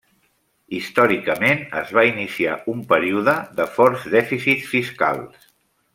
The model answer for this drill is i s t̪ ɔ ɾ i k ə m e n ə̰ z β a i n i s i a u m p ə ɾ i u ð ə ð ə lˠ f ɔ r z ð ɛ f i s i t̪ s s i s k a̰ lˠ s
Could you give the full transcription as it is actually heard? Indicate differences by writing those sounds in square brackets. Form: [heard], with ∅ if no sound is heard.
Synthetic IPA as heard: i s t̪ ɔ ɾ i k ə m e n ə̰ z β a i n i s i a u m p ə ɾ i u ð ə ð ə [∅] f ɔ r z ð ɛ f i s i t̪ s [f] i s k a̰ lˠ s

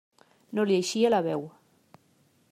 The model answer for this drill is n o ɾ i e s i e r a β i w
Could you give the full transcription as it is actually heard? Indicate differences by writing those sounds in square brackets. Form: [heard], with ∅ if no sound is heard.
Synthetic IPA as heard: n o [l] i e [ʃ] i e [l] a β [ɛ] w

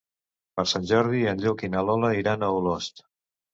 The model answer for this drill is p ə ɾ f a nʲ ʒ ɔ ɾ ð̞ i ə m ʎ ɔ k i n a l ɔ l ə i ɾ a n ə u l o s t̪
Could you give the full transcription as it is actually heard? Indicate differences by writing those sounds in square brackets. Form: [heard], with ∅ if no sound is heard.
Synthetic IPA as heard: p ə ɾ [s] a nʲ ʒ ɔ ɾ ð̞ i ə [n] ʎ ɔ k i n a l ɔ l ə i ɾ a n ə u l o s t̪

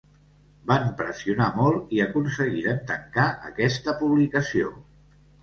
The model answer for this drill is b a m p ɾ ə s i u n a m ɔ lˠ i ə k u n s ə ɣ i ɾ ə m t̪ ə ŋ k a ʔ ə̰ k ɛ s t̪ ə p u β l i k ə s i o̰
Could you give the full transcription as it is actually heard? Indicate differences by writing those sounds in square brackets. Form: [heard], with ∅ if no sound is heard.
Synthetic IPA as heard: b a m p ɾ ə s i u n a m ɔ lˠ i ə k u n s ə ɣ i ɾ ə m t̪ ə ŋ k a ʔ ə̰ k ɛ s t̪ ə p u β l i k ə s i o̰

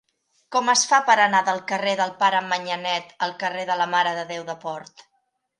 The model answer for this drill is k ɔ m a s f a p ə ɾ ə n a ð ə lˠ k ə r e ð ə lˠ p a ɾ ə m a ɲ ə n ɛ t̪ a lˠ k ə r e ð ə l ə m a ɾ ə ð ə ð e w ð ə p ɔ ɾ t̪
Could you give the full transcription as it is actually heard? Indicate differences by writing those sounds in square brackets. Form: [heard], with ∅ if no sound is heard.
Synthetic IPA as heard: k ɔ m [ə] s f a p ə ɾ ə n a ð ə lˠ k ə r e ð ə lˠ p a ɾ ə m [ə] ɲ ə n ɛ t̪ [ə] lˠ k ə r e ð ə l ə m a ɾ ə ð ə ð e w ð ə p ɔ ɾ t̪

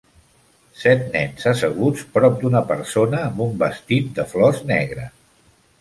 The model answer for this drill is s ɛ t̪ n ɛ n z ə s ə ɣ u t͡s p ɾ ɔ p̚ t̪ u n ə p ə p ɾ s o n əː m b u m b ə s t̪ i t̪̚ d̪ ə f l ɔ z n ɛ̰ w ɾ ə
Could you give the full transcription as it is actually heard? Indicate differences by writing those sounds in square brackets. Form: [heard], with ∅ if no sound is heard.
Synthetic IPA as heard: s ɛ t̪ n ɛ n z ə s ə ɣ u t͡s p ɾ ɔ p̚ [d̪] u n ə p ə [∅] ɾ s o n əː m b u m b ə s t̪ i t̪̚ d̪ ə f l ɔ z n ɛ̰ [ɣ] ɾ ə

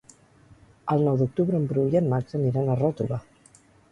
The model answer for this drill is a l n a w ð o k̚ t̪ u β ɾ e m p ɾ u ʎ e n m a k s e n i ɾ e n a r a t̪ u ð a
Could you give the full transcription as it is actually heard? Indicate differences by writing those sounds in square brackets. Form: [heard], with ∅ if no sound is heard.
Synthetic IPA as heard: a l n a w ð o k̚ t̪ u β ɾ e m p ɾ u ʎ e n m a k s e n i ɾ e n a r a t̪ u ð a

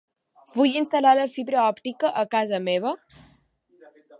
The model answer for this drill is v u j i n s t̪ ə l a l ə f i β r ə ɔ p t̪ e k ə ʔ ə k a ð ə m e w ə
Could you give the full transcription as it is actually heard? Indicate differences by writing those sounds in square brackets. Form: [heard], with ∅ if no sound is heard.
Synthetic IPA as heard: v u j i n s t̪ ə l a l ə f i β [ɾ] ə ɔ p t̪ [i] k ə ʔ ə k a [z] ə m e [β] ə

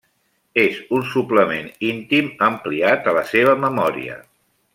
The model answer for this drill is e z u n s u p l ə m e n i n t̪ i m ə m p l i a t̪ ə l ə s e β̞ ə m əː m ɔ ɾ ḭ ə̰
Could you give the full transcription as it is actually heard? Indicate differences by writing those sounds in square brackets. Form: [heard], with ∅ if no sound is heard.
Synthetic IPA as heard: e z u n s u p l ə m e n i n t̪ i m ə m p l i a t̪ ə l ə s e β̞ ə m [ə] m ɔ ɾ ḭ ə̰

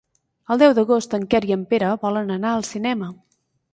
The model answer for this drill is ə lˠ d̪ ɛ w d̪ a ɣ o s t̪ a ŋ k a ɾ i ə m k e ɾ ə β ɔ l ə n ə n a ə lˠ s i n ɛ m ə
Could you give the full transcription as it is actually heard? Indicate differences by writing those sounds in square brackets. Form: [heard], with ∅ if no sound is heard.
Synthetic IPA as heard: ə lˠ d̪ ɛ w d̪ [ə] ɣ o s t̪ [ə] ŋ k [ɛ] ɾ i ə m [p] e ɾ ə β ɔ l ə n ə n a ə lˠ s i n ɛ m ə

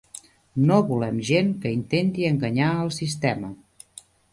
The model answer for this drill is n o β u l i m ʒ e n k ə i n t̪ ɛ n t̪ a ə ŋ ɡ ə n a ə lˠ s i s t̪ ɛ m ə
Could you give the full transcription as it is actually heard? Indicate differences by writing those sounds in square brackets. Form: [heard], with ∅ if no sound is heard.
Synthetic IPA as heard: n o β u l [ɛ] m ʒ e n k ə i n t̪ [e] n t̪ [i] ə ŋ ɡ ə [ɲ] a ə lˠ s i s t̪ ɛ m ə

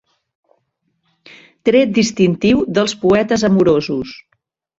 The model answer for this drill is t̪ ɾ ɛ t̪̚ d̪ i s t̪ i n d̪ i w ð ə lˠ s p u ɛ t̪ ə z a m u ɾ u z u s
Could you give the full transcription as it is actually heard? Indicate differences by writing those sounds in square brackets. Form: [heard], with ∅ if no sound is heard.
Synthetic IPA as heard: t̪ ɾ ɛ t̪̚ d̪ i s t̪ i n [t̪] i w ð ə lˠ s p u ɛ t̪ ə z [ə] m u ɾ [o] z u s

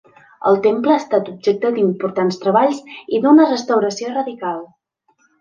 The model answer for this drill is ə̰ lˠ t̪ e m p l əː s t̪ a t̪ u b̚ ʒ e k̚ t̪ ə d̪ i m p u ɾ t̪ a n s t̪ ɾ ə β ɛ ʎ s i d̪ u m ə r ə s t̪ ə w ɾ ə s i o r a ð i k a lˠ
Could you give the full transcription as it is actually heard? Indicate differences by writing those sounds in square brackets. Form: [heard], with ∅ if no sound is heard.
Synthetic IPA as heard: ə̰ lˠ t̪ e m p l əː s t̪ a t̪ u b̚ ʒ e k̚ t̪ ə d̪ i m p u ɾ t̪ a n s t̪ ɾ ə β [a] ʎ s i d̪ u [n] ə r ə s t̪ ə w ɾ ə s i o r [ə] ð i k a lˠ

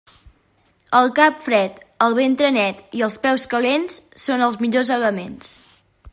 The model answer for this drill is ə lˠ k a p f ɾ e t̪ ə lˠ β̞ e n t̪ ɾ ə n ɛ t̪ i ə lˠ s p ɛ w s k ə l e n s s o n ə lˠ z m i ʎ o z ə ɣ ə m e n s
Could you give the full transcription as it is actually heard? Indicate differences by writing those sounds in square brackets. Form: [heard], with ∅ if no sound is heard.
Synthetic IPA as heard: ə lˠ k a p f ɾ [ɛ] t̪ ə lˠ β̞ e n t̪ ɾ ə n ɛ t̪ i ə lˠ s p ɛ w s k ə l e n s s o n ə lˠ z m i ʎ o z ə ɣ ə m e n s

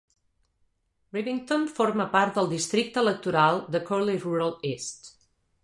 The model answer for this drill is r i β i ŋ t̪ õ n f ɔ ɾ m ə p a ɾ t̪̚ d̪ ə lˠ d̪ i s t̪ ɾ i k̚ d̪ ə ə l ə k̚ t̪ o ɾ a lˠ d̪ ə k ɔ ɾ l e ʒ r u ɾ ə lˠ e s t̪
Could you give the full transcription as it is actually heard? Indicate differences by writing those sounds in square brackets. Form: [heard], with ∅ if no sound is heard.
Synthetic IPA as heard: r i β i ŋ t̪ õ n f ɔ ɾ m ə p a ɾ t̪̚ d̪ ə lˠ d̪ i s t̪ ɾ i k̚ [t̪] ə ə l ə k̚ t̪ [u] ɾ a lˠ d̪ ə k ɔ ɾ l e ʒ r u ɾ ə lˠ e s t̪

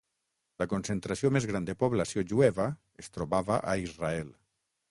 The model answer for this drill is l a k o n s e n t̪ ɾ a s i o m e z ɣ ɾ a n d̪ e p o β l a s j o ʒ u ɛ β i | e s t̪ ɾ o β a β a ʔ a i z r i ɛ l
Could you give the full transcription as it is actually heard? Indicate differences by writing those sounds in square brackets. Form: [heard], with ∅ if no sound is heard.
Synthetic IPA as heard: l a k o n s e n t̪ ɾ a s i o m e z ɣ ɾ a n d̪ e p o β l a s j o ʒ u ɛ β [a] | e s t̪ ɾ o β a β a ʔ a i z r [a] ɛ l

